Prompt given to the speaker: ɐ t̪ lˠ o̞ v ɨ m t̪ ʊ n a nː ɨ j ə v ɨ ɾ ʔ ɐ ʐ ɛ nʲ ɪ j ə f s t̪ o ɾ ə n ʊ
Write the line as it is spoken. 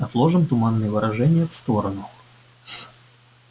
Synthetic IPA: ɐ t̪ lˠ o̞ ʐ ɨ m t̪ ʊ m a nː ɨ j ə v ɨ ɾ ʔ ɐ ʐ ɛ nʲ ɪ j ə f s t̪ o ɾ ə n ʊ